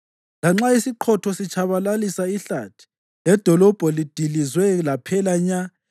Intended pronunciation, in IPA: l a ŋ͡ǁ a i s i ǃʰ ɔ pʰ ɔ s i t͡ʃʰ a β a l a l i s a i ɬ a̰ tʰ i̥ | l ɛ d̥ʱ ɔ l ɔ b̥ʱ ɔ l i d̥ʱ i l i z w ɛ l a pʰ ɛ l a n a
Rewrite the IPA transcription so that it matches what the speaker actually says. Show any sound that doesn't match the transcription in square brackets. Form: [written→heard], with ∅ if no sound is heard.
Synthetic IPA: l a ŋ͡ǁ a i s i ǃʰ ɔ [pʰ→tʰ] ɔ s i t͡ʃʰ a β a l a l i s a i ɬ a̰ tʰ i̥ | l ɛ d̥ʱ ɔ l ɔ b̥ʱ ɔ l i d̥ʱ i l i z w ɛ l a pʰ ɛ l a [n→ɲ] a